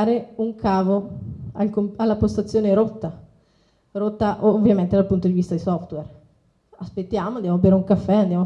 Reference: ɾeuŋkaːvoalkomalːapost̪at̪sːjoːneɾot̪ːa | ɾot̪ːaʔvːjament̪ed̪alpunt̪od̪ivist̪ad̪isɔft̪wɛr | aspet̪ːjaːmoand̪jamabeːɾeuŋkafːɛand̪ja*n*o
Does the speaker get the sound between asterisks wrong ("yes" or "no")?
yes